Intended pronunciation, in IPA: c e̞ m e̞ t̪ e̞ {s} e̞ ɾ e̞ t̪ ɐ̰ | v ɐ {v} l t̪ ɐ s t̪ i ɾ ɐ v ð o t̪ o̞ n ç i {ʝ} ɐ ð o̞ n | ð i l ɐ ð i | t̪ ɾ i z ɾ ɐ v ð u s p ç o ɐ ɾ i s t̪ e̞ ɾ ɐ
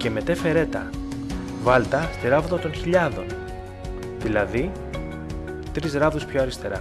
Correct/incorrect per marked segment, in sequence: incorrect: f, incorrect: none, incorrect: ʎ

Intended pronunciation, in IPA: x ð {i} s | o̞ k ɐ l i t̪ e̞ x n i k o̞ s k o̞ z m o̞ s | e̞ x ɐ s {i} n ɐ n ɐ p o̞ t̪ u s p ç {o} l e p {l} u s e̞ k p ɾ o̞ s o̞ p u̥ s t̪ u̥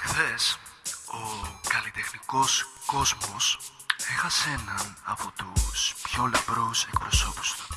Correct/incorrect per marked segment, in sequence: incorrect: e, incorrect: e, correct, incorrect: ɾ

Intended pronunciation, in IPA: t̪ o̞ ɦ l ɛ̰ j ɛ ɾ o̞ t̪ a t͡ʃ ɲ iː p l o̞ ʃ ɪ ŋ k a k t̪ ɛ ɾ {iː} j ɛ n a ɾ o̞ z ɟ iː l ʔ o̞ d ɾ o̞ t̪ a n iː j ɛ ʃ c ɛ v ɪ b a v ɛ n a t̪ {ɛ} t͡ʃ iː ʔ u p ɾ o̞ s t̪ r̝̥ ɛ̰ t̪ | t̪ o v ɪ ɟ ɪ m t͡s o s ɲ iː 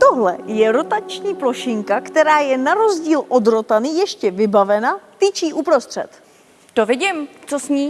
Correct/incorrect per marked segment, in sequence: incorrect: aː, incorrect: i

